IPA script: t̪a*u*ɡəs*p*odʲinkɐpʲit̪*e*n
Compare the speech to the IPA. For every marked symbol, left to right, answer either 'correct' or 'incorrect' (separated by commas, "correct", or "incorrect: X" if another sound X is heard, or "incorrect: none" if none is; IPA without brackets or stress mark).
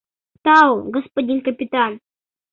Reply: incorrect: w, correct, incorrect: a